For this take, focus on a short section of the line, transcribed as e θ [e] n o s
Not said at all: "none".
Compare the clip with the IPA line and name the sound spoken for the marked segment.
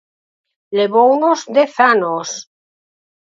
a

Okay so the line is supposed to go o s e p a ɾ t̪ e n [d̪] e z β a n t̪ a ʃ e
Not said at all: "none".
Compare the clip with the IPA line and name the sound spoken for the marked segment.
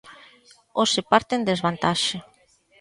d̪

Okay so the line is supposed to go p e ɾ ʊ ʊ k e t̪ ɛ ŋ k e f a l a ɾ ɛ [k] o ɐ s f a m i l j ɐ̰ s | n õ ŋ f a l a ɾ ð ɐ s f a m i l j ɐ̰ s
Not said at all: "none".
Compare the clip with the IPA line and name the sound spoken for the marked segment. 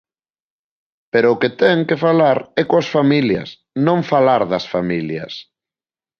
k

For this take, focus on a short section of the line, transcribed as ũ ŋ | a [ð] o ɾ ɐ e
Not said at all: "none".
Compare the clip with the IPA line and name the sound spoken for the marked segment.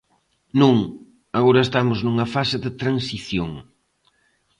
ɣ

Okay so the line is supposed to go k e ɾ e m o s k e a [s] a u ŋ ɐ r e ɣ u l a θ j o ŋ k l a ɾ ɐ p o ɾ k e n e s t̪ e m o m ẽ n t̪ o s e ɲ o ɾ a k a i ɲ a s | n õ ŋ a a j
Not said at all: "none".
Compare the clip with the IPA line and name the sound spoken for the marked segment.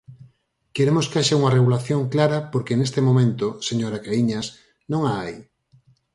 ʃ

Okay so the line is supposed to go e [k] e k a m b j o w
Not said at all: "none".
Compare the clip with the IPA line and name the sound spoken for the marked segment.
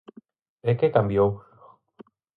k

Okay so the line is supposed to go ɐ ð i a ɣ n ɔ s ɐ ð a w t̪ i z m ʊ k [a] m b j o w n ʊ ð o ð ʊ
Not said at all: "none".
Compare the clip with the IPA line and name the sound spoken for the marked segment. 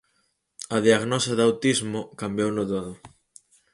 a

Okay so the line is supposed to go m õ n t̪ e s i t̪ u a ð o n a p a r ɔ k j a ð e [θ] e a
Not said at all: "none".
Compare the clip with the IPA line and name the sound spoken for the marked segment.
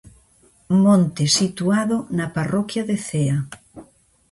θ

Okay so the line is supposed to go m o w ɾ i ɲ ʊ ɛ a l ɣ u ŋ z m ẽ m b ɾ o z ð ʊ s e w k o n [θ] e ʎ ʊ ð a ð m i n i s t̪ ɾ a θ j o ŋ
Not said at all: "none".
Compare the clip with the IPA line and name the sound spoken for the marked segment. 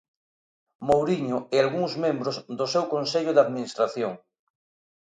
s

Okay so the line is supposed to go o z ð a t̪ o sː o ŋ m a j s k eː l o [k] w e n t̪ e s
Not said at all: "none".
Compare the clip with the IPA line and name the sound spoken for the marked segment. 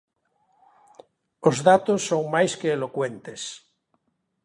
k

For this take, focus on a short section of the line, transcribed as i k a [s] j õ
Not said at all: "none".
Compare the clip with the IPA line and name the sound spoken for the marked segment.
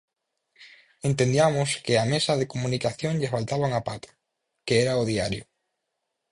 θ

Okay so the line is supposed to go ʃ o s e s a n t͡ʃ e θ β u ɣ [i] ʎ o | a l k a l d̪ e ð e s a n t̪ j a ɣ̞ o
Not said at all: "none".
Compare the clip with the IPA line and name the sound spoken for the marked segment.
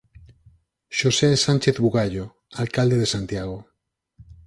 a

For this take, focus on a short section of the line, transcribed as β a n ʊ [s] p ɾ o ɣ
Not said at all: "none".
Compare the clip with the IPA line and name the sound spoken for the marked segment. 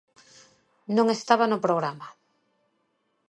none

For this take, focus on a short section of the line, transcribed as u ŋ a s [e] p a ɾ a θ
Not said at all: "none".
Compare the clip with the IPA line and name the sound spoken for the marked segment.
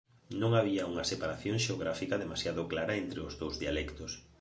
e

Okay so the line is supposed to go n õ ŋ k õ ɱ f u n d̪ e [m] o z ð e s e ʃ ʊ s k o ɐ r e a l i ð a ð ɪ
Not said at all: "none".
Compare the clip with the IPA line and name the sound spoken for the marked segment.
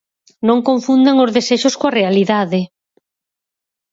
ŋ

